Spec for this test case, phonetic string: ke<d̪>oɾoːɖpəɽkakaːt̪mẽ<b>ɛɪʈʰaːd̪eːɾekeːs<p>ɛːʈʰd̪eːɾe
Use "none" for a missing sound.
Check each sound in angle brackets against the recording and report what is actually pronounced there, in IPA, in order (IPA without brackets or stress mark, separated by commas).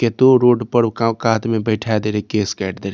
t̪, b, k